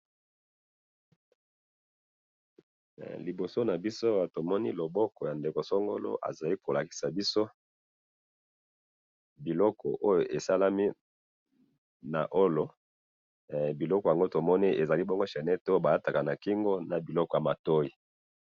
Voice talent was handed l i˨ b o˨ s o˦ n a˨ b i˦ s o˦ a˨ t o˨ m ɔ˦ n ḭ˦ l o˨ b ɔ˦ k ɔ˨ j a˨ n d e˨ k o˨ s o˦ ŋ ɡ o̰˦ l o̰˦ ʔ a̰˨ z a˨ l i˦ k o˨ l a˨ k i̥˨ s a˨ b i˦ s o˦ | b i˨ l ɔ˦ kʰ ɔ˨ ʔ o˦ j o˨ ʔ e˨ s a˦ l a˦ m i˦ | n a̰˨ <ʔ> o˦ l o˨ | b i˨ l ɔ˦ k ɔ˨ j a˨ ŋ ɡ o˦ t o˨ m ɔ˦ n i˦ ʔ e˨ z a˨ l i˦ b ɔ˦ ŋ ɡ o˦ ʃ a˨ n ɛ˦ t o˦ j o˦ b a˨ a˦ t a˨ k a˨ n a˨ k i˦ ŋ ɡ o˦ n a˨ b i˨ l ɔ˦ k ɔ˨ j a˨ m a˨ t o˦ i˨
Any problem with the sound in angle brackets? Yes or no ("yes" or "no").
no